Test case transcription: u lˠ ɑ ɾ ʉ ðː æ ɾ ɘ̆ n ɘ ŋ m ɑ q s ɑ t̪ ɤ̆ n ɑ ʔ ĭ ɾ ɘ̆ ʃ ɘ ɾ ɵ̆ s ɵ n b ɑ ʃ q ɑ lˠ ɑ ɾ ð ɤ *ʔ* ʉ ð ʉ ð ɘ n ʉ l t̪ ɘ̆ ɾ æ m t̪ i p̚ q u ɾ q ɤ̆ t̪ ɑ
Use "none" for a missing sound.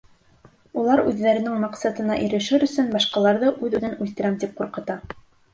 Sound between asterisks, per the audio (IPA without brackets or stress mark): ʔ